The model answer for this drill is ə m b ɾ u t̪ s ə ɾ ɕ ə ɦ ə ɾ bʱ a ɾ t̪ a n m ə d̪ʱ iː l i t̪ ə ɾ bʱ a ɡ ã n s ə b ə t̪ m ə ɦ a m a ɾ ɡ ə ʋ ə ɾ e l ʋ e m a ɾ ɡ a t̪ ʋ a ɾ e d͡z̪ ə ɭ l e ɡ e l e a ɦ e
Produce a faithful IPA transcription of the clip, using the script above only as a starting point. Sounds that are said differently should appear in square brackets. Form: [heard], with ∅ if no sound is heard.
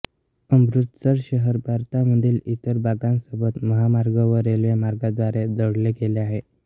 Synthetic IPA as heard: ə m b ɾ u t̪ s ə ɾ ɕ ə ɦ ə ɾ bʱ a ɾ t̪ a [∅] m ə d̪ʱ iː l i t̪ ə ɾ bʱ a ɡ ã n s ə b ə t̪ m ə ɦ a m a ɾ ɡ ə ʋ ə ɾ e l ʋ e m a ɾ ɡ a [d̪] ʋ a ɾ e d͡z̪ ə [ɽ] l e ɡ e l e a ɦ e